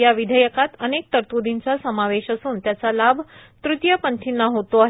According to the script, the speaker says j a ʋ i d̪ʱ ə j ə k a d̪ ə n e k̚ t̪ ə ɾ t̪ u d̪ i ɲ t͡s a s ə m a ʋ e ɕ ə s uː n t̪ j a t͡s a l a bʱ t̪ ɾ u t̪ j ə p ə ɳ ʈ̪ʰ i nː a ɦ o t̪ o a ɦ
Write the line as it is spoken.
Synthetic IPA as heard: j a ʋ i d̪ʱ ə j ə k a t̪ ə n e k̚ t̪ ə ɾ t̪ u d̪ i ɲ t͡s a s ə m a ʋ e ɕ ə s uː n t̪ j a t͡s a l a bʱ t̪ ɾ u t̪ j ə p ə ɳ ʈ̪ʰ i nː a ɦ o t̪ o a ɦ